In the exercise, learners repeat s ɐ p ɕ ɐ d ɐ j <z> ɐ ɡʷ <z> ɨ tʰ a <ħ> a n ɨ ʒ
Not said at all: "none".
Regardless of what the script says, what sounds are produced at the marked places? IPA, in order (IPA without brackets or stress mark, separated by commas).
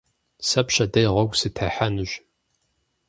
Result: ʁ, s, ħ